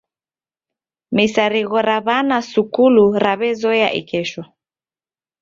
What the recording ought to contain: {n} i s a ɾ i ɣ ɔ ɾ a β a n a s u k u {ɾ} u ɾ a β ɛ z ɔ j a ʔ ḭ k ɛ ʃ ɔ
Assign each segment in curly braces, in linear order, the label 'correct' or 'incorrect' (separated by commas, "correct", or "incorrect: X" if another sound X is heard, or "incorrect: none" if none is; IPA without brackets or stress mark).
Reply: incorrect: m, incorrect: l